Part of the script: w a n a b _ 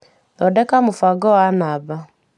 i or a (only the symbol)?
a